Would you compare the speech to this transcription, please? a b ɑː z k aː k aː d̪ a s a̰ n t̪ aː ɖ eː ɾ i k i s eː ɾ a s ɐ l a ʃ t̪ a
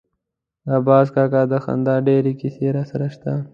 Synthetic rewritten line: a b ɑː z k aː k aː d̪ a x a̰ n d̪ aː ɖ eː ɾ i k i s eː ɾ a s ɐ ɾ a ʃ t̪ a